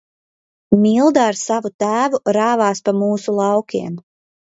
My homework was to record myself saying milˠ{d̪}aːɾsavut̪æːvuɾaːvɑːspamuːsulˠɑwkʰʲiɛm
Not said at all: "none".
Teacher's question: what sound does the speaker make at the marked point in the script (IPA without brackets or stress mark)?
d̪